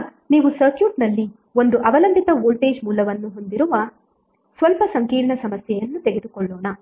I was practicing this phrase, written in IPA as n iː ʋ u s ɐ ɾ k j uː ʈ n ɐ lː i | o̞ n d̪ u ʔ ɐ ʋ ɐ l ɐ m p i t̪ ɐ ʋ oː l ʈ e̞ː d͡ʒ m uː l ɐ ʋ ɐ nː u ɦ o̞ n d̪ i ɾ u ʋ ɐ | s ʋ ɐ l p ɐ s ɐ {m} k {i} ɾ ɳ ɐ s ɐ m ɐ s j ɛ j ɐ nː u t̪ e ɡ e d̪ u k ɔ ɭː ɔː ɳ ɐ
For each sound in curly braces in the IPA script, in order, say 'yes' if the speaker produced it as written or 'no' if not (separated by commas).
no, no